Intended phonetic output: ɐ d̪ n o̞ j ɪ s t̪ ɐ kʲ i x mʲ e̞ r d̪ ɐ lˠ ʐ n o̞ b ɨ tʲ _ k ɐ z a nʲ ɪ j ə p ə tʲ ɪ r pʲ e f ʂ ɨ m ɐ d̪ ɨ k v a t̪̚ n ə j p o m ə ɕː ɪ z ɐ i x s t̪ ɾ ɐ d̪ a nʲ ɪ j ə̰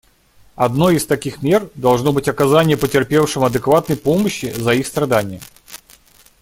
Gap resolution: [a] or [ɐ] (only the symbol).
ɐ